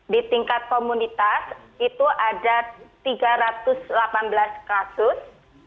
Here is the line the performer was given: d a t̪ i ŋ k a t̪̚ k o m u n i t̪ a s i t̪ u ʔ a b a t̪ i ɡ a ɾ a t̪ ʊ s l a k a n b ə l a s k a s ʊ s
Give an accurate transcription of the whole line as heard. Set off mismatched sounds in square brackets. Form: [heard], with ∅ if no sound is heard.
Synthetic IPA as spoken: d [i] t̪ i ŋ k a t̪̚ k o m u n i t̪ a s i t̪ u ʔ a [d] a t̪ i ɡ a ɾ a t̪ ʊ s l a [p] a n b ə l a s k a s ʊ s